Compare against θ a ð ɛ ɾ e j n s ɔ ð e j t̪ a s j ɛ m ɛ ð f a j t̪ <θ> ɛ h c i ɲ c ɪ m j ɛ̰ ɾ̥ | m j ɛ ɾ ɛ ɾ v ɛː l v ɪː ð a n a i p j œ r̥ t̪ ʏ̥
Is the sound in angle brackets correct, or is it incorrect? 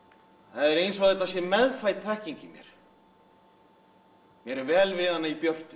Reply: correct